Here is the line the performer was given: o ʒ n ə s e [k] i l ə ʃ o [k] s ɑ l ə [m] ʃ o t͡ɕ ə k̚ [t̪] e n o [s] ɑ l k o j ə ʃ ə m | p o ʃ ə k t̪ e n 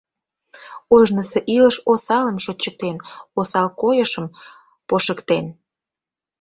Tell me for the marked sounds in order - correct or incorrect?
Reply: incorrect: ʔ, incorrect: none, correct, correct, correct

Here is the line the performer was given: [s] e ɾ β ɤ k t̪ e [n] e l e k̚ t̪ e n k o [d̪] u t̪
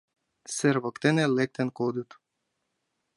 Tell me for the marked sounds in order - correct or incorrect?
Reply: correct, correct, correct

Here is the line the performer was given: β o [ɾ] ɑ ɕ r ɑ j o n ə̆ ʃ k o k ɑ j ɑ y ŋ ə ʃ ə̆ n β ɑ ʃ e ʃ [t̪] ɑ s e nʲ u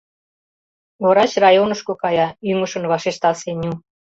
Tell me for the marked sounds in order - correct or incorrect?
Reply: correct, correct

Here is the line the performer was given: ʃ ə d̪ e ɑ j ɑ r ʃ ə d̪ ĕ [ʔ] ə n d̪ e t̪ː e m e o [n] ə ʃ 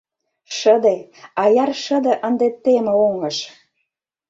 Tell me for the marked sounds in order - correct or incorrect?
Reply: correct, incorrect: ŋ

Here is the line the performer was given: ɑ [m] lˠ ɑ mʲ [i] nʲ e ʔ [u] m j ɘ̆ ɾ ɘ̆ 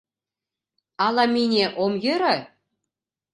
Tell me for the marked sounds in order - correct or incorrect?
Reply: incorrect: none, correct, incorrect: o

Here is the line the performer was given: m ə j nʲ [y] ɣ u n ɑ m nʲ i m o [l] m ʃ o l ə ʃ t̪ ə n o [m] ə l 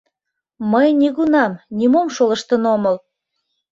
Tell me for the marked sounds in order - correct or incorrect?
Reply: incorrect: i, incorrect: none, correct

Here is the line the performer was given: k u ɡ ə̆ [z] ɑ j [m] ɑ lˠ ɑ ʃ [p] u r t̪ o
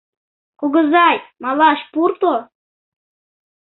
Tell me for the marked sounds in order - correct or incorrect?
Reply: correct, correct, correct

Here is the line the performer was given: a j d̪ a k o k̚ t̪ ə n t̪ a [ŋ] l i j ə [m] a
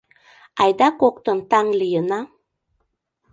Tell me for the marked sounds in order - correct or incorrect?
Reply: correct, incorrect: n

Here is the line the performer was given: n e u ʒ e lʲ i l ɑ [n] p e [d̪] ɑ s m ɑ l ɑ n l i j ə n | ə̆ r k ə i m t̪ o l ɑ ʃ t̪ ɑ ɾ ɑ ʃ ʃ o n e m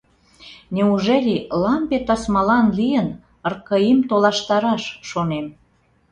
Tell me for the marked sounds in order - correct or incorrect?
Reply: incorrect: m, incorrect: t̪

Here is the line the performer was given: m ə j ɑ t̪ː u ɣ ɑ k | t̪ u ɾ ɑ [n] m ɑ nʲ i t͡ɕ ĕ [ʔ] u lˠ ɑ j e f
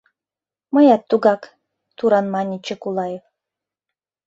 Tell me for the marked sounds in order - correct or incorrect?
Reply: correct, incorrect: k

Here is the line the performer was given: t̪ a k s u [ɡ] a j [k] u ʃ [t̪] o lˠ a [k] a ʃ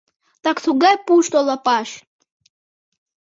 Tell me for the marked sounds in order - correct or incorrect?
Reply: correct, incorrect: p, correct, incorrect: p

